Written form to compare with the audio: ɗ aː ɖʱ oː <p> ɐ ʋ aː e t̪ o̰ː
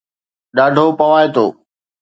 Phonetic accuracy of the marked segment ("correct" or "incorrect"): correct